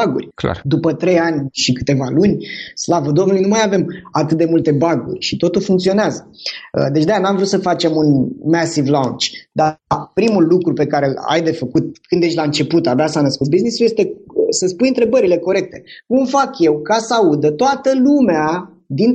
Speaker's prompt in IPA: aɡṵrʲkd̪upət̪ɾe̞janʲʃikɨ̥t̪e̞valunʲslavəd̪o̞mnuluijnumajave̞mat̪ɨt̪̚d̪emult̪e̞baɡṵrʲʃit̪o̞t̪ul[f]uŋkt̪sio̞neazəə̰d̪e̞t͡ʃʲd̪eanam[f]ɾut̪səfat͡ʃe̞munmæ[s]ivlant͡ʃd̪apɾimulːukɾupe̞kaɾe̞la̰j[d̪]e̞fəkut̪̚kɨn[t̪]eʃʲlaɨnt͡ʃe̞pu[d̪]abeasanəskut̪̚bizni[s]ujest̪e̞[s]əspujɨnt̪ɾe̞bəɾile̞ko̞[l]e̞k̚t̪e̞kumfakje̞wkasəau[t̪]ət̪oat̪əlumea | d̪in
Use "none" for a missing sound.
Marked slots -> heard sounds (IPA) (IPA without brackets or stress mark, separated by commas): f, v, s, d̪, d̪, t̪, s, s, ɾ, d̪